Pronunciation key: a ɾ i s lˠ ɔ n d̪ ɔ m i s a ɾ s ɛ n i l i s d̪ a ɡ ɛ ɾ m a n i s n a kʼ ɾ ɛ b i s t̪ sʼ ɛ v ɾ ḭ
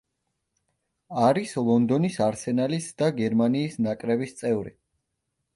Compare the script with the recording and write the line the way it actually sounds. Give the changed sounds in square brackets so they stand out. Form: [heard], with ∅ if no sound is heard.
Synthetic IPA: a ɾ i s lˠ ɔ n d̪ ɔ [n] i s a ɾ s ɛ n [a] l i s d̪ a ɡ ɛ ɾ m a n [iː] s n a kʼ ɾ ɛ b i s t̪ sʼ ɛ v ɾ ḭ